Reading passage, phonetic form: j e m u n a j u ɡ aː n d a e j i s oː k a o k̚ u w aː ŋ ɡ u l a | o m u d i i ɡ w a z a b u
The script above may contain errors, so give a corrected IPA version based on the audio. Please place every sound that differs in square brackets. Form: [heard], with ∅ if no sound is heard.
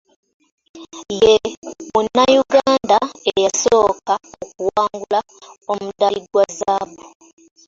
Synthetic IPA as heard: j e m u n a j u ɡ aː n d a e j [a] s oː k a o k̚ u w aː ŋ ɡ u l a | o m u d [a] i ɡ w a z a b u